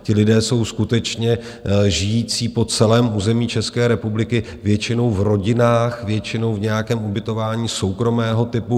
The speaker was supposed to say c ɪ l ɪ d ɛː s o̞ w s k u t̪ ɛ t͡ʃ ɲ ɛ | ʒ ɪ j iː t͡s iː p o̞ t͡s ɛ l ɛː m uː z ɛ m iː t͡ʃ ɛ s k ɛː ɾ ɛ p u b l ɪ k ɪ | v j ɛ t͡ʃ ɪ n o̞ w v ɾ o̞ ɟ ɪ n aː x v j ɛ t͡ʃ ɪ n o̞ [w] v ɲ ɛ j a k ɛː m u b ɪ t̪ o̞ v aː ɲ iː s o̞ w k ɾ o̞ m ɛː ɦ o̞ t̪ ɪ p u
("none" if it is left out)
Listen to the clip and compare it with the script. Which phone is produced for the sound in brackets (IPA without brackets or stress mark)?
w